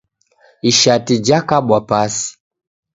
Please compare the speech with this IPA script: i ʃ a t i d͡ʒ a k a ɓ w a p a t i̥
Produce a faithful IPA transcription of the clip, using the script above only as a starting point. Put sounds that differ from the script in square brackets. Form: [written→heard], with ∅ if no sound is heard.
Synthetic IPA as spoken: i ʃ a t i d͡ʒ a k a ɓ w a p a [t→s] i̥